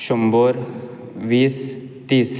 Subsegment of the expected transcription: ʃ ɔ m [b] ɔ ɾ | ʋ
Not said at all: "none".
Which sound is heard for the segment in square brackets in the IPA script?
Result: b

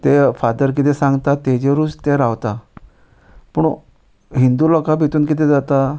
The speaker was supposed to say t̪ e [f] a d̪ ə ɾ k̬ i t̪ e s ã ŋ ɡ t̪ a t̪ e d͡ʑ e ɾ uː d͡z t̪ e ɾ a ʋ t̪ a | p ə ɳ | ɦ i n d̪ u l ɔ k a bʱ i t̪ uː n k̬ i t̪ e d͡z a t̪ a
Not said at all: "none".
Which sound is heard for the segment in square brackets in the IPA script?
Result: f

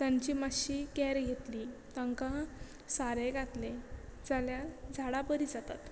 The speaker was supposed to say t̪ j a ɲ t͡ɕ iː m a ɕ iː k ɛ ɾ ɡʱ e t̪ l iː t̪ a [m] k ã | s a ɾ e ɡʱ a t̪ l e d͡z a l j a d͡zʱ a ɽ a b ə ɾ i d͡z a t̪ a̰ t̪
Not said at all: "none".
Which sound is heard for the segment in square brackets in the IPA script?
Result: ŋ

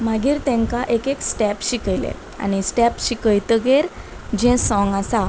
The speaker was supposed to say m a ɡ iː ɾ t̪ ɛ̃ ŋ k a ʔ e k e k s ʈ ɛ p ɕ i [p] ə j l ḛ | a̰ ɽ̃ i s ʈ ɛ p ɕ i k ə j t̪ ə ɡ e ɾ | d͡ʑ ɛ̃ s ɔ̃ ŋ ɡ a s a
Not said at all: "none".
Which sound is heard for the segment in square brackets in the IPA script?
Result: k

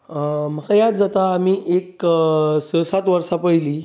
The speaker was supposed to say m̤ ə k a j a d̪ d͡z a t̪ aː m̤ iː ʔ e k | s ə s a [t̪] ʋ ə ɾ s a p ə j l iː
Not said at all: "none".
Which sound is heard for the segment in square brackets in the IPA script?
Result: t̪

